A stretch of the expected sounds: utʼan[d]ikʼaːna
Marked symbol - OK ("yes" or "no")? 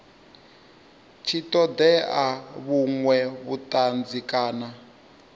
no